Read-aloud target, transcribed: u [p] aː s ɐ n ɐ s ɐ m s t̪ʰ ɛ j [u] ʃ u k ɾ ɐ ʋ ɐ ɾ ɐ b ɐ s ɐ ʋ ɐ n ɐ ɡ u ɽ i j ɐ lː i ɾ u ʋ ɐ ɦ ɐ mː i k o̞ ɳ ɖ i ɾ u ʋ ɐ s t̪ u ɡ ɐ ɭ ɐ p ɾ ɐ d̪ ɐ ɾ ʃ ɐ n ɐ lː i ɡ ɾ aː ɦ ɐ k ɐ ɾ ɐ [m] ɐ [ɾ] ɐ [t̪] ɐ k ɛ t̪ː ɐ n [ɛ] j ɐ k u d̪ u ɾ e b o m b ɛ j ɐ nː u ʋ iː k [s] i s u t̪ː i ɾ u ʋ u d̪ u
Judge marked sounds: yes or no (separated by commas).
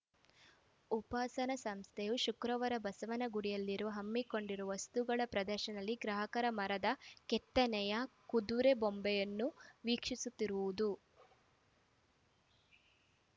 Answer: yes, yes, yes, yes, no, yes, no